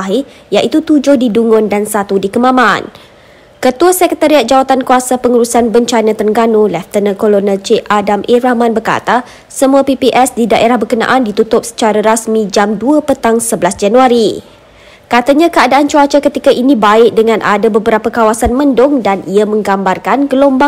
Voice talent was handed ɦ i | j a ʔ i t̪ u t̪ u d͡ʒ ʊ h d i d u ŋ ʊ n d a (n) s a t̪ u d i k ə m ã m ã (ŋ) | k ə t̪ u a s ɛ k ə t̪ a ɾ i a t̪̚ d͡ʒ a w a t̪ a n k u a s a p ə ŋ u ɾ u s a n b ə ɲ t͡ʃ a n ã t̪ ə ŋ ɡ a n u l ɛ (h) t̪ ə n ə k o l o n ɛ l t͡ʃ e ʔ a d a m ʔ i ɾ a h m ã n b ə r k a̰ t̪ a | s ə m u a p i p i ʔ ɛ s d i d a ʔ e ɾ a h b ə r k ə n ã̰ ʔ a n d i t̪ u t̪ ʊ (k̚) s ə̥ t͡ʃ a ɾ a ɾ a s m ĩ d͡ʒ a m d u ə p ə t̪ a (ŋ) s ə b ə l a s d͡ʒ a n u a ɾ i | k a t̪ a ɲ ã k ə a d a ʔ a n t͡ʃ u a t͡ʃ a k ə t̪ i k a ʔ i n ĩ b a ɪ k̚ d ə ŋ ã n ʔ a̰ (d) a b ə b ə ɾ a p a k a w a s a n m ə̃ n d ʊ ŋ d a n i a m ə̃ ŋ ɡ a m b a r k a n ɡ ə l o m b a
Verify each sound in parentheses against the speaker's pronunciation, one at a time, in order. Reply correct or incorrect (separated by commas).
correct, incorrect, incorrect, incorrect, correct, correct